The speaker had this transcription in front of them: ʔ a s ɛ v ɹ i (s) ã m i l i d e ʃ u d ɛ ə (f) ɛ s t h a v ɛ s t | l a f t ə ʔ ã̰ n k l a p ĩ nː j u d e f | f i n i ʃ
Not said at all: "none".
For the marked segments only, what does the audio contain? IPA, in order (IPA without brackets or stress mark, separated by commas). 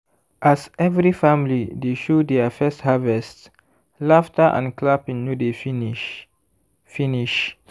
f, f